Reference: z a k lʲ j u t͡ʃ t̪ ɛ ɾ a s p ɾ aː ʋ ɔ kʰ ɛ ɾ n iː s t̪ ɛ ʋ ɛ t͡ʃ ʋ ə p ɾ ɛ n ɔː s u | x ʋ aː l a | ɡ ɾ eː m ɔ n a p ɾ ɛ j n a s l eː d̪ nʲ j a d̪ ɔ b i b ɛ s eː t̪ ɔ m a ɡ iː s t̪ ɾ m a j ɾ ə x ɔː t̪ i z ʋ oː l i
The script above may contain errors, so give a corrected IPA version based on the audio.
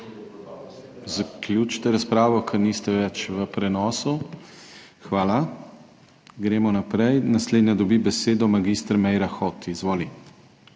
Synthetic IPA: z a k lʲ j u t͡ʃ t̪ ɛ ɾ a s p ɾ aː ʋ ɔ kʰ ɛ ɾ n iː s t̪ ɛ ʋ ɛ t͡ʃ ʋ ə p ɾ ɛ n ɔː s u | x ʋ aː l a | ɡ ɾ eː m ɔ n a p ɾ ɛ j n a s l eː d̪ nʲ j a d̪ ɔ b i b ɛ s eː d̪ ɔ m a ɡ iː s t̪ ɾ m ɛ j ɾ a x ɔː t̪ i z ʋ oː l i